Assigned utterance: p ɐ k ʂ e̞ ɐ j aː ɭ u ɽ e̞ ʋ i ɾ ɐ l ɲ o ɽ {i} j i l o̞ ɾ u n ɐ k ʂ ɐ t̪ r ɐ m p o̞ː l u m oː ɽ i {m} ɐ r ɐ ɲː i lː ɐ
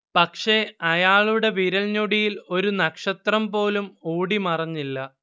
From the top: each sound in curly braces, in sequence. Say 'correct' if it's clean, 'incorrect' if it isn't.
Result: correct, correct

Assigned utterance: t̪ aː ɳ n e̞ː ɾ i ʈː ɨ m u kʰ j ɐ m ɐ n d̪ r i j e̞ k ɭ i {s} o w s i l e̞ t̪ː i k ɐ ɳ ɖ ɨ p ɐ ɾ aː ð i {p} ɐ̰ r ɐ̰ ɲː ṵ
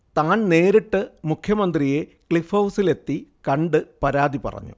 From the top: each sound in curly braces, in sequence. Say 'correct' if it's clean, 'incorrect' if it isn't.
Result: incorrect, correct

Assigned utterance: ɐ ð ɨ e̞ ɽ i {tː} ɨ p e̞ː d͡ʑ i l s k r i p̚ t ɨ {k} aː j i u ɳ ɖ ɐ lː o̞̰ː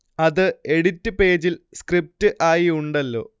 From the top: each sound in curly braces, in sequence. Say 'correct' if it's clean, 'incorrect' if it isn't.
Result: correct, incorrect

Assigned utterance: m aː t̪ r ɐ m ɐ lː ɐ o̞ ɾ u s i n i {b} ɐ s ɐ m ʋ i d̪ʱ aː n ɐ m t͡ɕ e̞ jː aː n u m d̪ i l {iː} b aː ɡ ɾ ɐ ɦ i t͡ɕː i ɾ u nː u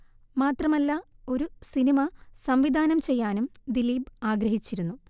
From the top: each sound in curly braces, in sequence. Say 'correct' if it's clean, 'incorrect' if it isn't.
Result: incorrect, correct

